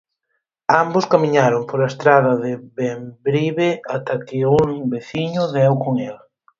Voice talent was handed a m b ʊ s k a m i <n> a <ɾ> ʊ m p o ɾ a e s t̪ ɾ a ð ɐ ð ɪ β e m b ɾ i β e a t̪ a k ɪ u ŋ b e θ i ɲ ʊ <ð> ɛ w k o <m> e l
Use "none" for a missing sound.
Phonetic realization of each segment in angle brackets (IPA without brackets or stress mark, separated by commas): ɲ, ɾ, ð, ŋ